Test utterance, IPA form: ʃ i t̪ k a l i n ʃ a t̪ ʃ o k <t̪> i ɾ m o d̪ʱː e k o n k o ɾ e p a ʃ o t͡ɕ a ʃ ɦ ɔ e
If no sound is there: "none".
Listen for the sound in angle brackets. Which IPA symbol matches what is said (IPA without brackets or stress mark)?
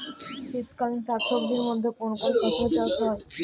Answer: d̪